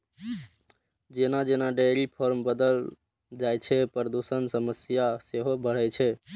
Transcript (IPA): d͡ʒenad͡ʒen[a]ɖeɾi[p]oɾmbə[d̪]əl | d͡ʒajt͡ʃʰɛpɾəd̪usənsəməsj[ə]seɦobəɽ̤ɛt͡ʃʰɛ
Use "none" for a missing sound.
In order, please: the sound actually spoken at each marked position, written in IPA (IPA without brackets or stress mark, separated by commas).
a, pʰ, d̪, a